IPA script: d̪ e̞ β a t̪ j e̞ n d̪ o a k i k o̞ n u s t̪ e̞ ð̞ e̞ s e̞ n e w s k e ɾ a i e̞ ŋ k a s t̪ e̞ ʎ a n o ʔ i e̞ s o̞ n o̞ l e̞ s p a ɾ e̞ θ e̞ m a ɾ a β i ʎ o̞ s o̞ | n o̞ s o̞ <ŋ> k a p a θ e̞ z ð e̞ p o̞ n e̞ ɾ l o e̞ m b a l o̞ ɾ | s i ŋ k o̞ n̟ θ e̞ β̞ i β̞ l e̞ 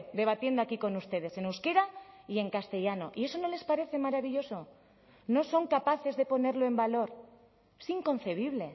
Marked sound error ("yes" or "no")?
no